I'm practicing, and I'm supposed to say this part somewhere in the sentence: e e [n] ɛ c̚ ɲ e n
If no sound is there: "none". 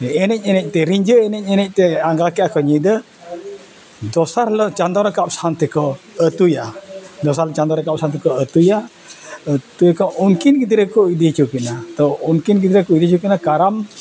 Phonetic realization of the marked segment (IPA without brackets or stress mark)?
n